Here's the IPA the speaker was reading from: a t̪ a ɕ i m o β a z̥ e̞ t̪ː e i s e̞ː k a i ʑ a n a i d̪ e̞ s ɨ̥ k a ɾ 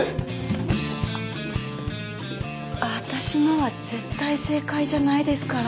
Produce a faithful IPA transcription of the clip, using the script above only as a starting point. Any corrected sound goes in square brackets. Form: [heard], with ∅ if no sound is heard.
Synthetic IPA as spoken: a t̪ a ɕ i [n] o β a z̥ e̞ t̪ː [a] i s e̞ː k a i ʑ a n a i d̪ e̞ s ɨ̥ k a ɾ